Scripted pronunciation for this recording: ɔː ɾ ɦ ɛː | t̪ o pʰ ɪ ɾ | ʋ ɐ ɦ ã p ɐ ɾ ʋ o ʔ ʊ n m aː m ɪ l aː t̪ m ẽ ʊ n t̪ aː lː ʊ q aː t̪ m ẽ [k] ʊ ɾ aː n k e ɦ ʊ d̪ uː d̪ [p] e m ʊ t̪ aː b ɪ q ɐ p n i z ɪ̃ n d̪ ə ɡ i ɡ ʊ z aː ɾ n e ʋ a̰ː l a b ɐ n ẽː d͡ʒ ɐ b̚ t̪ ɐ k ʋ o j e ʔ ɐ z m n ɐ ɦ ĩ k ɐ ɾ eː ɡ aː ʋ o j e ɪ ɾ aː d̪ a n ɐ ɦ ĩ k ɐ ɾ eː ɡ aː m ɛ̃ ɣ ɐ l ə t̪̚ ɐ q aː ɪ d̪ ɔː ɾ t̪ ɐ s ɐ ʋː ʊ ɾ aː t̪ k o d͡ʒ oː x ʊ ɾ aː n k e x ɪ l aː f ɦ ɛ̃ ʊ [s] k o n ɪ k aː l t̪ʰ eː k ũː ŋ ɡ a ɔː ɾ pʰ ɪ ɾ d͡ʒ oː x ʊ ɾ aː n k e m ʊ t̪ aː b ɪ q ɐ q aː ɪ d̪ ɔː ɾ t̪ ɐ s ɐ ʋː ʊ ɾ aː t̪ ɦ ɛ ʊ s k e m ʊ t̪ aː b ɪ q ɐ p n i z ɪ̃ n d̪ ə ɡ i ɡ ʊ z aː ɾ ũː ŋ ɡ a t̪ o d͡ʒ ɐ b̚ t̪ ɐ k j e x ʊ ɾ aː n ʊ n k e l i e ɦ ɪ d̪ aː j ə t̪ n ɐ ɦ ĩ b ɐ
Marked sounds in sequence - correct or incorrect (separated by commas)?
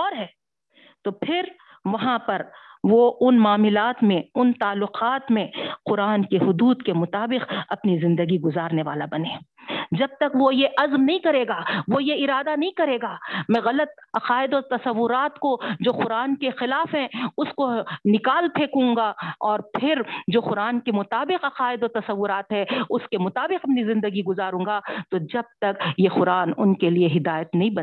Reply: incorrect, incorrect, correct